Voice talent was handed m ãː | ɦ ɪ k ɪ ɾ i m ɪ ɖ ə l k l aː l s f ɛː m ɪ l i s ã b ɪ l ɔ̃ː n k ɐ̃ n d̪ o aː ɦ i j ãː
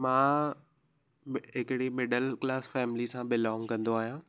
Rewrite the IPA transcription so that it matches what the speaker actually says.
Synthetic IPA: m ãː | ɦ ɪ k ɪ ɽ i m ɪ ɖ ə l k l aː s f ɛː m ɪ l i s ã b ɪ l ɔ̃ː ŋ k ɐ̃ n d̪ o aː ɦ i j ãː